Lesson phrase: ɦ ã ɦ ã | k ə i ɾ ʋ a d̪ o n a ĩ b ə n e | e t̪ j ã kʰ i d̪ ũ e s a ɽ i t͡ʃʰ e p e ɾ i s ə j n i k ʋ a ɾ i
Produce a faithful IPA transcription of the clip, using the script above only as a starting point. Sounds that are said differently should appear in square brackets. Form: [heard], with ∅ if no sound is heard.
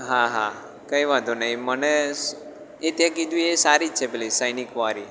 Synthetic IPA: ɦ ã ɦ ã | k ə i [∅] ʋ a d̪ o n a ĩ [m] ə n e | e t̪ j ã [k] i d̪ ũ e s a [ɾ] i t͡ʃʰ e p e [l] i s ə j n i k ʋ a ɾ i